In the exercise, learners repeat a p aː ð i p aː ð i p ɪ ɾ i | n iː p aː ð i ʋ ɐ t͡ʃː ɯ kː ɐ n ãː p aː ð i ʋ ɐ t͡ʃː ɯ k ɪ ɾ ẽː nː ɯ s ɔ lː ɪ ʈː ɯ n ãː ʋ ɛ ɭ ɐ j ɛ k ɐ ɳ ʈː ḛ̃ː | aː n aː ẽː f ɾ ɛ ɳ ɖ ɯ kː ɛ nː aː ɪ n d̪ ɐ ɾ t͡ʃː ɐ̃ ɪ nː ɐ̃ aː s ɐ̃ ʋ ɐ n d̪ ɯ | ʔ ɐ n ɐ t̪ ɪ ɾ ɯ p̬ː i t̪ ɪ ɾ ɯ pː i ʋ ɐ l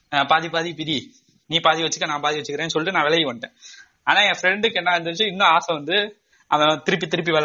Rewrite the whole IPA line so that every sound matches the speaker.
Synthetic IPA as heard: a p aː ð i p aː ð i p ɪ ɾ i | n iː p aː ð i ʋ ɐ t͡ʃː ɯ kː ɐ n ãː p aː ð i ʋ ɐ t͡ʃː ɯ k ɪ ɾ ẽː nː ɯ s ɔ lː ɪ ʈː ɯ n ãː ʋ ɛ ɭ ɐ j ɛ k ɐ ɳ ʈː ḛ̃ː | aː n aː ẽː f ɾ ɛ ɳ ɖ ɯ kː ɛ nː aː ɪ n d̪ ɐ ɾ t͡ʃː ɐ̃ ɪ nː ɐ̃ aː s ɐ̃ ʋ ɐ n d̪ ɯ | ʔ ɐ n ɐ t̪ ɪ ɾ ɯ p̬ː i t̪ ɪ ɾ ɯ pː i ʋ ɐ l